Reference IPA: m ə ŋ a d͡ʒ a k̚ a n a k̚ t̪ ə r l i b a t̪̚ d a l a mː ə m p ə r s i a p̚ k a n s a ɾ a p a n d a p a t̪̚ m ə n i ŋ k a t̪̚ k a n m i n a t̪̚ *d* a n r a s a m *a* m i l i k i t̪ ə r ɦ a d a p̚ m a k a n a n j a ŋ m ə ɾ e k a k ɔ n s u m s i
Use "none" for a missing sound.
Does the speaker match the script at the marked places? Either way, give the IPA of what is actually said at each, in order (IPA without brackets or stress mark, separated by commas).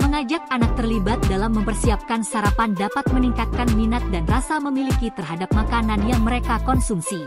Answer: d, ə